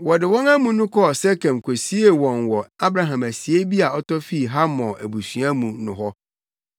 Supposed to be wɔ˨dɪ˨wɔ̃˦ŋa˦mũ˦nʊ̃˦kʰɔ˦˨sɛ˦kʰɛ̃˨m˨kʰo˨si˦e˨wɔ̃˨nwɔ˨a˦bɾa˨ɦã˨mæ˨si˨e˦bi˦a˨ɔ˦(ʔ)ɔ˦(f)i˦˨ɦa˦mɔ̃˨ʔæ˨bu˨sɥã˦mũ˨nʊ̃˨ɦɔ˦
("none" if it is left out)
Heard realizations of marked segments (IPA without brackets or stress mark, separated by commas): t, f